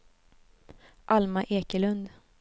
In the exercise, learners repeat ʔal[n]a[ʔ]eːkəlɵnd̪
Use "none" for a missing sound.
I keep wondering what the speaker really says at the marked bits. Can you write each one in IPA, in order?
m, ʔ

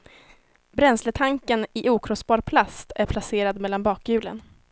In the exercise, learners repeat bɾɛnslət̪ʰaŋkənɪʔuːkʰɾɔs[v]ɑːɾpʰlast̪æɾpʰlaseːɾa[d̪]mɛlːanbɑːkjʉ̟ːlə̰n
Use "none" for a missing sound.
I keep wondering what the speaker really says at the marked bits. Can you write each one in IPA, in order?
b, d̪

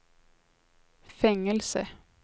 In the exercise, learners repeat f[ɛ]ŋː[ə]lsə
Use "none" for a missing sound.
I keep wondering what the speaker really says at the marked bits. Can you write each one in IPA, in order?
ɛ, ə

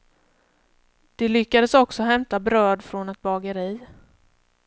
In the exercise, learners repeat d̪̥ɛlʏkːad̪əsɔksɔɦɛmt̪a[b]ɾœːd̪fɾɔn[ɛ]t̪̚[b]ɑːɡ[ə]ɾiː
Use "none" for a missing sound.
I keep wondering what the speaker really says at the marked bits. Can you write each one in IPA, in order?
b, ɛ, b, ə

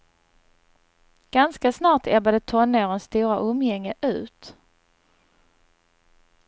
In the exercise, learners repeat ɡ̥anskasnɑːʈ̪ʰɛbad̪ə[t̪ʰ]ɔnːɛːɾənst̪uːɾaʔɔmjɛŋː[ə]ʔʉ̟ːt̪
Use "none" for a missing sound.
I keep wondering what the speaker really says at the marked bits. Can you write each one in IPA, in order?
t̪ʰ, ə

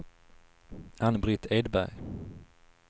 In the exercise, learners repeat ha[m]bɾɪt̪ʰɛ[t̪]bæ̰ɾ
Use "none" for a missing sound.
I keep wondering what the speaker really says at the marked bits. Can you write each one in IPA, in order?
n, d̪

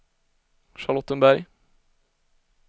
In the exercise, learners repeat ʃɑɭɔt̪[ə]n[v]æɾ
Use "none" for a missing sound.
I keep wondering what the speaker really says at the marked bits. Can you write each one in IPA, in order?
ə, b

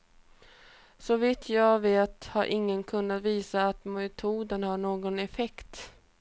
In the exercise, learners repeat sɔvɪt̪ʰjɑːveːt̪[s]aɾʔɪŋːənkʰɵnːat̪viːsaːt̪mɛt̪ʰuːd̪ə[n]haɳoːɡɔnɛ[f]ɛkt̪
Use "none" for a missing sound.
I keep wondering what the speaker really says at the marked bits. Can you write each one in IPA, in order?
h, n, f

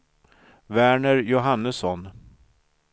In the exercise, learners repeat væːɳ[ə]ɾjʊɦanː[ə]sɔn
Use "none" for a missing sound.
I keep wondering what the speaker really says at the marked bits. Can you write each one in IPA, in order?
ə, ə

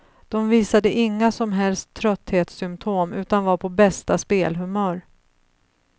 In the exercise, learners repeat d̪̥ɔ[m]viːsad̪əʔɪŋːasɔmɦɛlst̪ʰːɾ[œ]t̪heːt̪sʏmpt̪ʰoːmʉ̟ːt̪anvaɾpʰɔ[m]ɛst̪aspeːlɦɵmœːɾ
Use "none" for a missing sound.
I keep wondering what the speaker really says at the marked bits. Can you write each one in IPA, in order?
m, œ, b

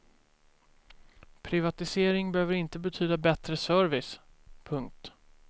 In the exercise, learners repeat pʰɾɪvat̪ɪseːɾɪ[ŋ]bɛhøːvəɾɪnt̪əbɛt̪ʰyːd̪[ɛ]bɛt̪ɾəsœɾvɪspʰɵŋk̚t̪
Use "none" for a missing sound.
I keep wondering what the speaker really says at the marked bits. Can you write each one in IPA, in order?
ŋ, a

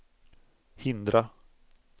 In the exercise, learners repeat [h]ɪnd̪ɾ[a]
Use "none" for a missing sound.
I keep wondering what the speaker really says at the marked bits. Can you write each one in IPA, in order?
h, a

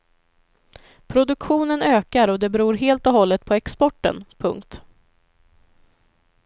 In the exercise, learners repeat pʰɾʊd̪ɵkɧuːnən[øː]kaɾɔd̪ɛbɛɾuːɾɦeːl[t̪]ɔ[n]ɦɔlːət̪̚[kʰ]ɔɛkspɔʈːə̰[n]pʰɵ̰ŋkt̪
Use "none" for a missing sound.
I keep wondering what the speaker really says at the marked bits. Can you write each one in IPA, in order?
øː, t̪, none, pʰ, n

